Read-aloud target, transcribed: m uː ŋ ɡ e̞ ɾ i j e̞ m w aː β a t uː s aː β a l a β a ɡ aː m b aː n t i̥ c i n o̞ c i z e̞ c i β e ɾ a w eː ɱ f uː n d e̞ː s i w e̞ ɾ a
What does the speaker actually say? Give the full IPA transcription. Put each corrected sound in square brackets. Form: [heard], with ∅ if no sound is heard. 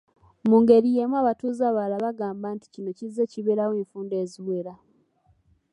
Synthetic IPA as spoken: m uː ŋ ɡ e̞ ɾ i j e̞ m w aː β a t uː [z] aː β a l a β a ɡ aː m b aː n t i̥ c i n o̞ c i z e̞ c i β e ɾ a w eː ɱ f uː n d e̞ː [z] i w e̞ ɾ a